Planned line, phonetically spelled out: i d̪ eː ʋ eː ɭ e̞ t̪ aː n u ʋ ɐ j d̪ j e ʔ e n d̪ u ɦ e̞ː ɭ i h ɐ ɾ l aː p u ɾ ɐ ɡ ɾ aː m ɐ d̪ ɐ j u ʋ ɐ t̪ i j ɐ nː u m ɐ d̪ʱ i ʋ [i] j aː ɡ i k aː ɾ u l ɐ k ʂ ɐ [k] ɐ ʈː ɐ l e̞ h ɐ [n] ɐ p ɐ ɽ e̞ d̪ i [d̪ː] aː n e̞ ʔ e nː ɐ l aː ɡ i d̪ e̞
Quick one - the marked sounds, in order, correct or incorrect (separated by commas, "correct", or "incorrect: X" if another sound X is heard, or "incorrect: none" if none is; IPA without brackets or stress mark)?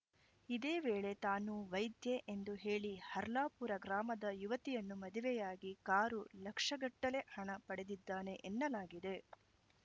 incorrect: ɛ, incorrect: ɡ, incorrect: ɳ, correct